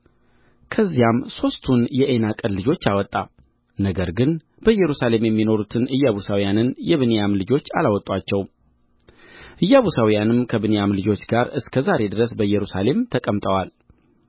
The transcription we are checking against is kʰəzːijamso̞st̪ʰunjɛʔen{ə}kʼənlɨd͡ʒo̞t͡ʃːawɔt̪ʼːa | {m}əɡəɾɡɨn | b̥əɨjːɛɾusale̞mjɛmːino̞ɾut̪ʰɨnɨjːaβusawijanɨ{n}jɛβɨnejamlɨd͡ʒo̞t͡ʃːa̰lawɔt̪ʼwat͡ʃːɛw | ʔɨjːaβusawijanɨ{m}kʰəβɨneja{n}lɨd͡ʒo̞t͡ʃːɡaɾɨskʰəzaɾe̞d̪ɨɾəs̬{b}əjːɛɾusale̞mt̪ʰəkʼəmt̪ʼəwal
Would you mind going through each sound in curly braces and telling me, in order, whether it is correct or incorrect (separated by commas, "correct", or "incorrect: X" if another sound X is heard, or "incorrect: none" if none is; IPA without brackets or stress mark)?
incorrect: a, incorrect: n, correct, correct, incorrect: m, correct